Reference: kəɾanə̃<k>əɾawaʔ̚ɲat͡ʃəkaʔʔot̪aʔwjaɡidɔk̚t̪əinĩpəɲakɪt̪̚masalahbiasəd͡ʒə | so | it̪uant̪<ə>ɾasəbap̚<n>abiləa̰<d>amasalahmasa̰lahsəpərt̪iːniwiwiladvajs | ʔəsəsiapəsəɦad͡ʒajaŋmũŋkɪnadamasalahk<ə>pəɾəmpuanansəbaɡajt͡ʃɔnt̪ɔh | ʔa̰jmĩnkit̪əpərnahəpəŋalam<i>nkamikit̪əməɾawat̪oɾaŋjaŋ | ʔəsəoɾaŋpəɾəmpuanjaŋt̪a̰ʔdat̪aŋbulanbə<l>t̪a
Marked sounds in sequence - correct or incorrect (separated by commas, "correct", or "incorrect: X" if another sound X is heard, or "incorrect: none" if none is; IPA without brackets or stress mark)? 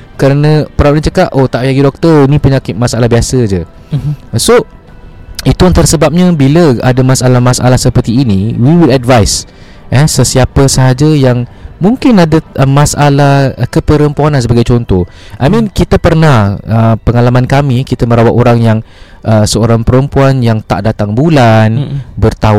incorrect: p, incorrect: a, incorrect: ɲ, correct, correct, incorrect: a, incorrect: r